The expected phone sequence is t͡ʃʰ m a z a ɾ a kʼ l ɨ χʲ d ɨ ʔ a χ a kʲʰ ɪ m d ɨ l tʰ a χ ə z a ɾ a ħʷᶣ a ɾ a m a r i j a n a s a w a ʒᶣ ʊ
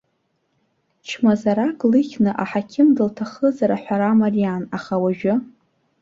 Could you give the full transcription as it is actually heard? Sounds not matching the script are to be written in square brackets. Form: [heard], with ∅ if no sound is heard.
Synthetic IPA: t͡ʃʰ m a z a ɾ a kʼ l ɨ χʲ [n] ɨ ʔ a [ħ] a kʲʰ ɪ m d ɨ l tʰ a χ ə z a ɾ a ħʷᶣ a ɾ a m a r i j a n a [χ] a w a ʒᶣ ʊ